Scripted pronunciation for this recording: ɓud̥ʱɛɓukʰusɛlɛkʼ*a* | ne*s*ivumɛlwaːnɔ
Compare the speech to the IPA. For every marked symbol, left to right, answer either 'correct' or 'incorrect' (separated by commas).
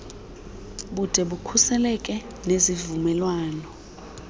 incorrect, incorrect